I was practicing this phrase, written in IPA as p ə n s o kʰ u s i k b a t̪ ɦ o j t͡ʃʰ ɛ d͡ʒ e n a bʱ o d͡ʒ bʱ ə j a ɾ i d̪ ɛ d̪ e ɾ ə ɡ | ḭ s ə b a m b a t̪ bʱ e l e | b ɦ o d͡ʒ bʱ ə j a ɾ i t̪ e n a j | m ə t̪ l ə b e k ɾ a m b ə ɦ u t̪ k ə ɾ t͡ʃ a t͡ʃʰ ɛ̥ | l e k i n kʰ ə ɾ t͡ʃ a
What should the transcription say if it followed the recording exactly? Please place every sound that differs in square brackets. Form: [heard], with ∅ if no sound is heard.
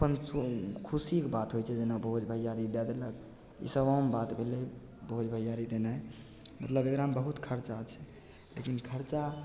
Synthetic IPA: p ə n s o kʰ u s i k b a t̪ ɦ o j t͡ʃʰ ɛ d͡ʒ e n a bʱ o d͡ʒ bʱ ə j a ɾ i d̪ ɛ d̪ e [l] ə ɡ | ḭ s ə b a m b a t̪ bʱ e l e | b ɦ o d͡ʒ bʱ ə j a ɾ i [d̪] e n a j | m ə t̪ l ə b e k ɾ a m b ə ɦ u t̪ [kʰ] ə ɾ t͡ʃ a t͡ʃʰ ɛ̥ | l e k i n kʰ ə ɾ t͡ʃ a